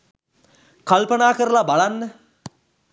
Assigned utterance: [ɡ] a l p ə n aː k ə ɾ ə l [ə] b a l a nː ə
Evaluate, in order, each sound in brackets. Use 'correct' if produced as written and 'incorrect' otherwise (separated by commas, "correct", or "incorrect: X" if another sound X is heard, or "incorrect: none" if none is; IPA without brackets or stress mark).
incorrect: k, incorrect: a